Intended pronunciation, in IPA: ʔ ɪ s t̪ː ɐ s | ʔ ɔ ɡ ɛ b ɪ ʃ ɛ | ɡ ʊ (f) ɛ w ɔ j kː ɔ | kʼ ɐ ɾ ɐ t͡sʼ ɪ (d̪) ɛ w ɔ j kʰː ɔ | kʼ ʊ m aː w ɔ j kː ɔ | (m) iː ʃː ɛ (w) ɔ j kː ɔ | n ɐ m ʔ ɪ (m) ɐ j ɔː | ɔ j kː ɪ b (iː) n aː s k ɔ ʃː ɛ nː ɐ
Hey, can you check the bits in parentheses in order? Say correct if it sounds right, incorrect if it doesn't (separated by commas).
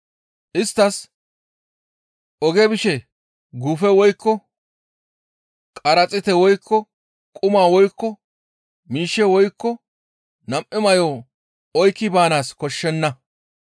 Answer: correct, incorrect, correct, correct, correct, incorrect